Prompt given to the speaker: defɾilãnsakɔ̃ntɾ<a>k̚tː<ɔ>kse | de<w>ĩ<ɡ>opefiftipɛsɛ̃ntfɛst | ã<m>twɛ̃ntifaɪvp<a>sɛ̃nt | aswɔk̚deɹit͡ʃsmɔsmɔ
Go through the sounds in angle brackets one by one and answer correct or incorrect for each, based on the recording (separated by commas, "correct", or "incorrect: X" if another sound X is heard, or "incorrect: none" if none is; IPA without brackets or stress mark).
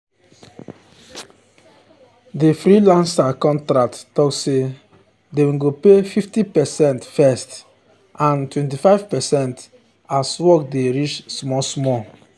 correct, correct, correct, correct, incorrect: n, incorrect: ɛ